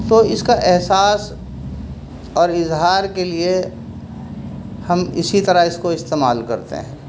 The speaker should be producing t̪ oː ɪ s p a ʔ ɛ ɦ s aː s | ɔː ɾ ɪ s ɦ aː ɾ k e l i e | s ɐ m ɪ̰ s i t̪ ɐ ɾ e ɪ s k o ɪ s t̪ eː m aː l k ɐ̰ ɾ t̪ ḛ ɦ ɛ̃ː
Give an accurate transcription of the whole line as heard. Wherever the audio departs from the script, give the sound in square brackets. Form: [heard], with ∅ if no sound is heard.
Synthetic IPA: t̪ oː ɪ s [k] a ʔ ɛ ɦ s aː s | ɔː ɾ ɪ [z] ɦ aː ɾ k e l i e | [h] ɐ m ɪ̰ s i t̪ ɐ ɾ [a] ɪ s k o ɪ s t̪ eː m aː l k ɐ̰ ɾ t̪ ḛ ɦ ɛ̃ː

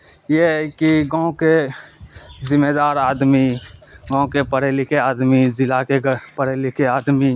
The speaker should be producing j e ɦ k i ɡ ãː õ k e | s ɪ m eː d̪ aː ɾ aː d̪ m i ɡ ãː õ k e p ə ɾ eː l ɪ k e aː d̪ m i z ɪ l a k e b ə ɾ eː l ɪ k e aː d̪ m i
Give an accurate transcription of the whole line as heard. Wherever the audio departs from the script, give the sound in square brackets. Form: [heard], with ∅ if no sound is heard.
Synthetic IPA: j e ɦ k i ɡ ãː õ k e | [z] ɪ m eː d̪ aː ɾ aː d̪ m i ɡ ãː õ k e p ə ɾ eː l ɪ k e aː d̪ m i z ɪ l a k e [p] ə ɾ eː l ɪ k e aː d̪ m i

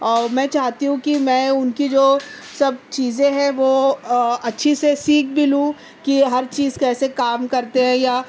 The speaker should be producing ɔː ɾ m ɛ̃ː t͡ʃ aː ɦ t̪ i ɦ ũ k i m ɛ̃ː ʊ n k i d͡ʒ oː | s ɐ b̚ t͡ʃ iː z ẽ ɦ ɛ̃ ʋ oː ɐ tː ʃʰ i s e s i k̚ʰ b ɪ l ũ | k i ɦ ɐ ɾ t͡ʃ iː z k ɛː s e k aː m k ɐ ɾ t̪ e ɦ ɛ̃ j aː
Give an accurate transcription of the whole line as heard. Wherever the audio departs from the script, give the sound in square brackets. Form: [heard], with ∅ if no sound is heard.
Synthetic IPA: ɔː ɾ m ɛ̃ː t͡ʃ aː ɦ t̪ i ɦ ũ k i m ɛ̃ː ʊ n k i d͡ʒ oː | s ɐ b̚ t͡ʃ iː z ẽ ɦ ɛ̃ ʋ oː ɐ tː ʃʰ i s e s [iː] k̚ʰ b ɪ l ũ | k i ɦ ɐ ɾ t͡ʃ iː z k ɛː s e k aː m k ɐ ɾ t̪ e ɦ ɛ̃ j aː

